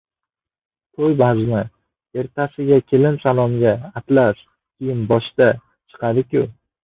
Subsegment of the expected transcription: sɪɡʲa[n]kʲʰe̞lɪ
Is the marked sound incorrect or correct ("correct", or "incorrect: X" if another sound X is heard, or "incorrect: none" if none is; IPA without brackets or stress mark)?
incorrect: none